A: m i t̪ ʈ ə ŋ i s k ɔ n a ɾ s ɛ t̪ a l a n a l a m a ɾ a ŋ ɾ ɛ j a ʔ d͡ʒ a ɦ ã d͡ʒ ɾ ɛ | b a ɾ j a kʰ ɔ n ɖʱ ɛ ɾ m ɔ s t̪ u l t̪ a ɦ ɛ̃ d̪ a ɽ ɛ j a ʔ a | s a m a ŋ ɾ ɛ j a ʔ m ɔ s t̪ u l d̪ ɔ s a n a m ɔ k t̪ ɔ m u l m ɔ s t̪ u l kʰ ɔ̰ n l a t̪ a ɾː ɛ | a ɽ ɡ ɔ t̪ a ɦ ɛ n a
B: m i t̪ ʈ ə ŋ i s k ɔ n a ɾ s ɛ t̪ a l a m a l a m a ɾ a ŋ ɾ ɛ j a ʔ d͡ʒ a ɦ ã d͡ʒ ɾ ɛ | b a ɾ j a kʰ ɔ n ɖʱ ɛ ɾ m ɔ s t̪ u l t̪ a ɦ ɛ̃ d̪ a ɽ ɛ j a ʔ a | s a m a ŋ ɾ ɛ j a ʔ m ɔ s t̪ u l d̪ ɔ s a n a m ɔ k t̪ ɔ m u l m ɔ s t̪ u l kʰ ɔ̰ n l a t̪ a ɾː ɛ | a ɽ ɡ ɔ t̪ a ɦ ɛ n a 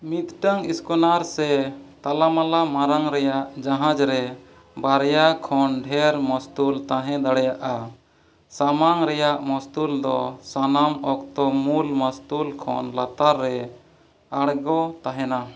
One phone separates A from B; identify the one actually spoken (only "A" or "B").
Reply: B